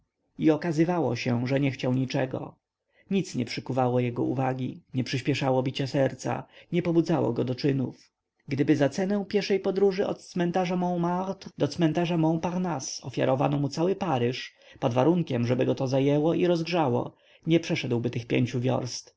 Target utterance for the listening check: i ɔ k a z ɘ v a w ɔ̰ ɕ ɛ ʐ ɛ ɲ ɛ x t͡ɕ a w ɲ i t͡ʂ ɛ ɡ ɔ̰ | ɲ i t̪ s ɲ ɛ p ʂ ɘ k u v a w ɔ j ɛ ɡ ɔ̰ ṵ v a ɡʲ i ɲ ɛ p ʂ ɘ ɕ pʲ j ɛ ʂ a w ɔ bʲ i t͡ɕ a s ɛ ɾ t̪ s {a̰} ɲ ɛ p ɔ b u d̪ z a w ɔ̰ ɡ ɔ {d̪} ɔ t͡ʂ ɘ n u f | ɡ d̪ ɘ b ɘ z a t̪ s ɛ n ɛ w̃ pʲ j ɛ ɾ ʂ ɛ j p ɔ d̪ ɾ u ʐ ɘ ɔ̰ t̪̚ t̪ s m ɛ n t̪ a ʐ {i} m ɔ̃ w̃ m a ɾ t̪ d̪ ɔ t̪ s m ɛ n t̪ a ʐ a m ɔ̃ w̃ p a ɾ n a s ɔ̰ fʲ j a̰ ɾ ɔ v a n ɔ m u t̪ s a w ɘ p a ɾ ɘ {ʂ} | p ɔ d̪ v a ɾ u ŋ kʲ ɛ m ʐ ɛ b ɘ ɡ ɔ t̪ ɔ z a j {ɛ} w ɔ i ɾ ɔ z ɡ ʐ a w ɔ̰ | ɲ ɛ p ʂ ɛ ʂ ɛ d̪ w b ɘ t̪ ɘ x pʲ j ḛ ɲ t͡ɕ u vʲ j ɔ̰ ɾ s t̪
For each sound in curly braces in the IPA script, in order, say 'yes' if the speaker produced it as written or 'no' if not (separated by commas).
yes, yes, no, yes, yes